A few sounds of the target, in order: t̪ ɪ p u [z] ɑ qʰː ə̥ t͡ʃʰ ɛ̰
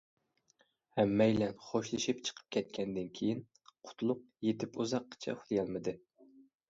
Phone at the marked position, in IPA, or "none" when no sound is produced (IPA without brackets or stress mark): z